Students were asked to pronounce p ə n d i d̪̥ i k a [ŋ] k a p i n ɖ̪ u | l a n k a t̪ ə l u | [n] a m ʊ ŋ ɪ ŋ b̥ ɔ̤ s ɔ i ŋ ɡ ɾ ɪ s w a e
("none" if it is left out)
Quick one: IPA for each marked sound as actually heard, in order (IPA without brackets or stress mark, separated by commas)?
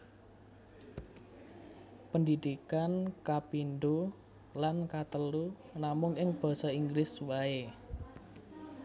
n, n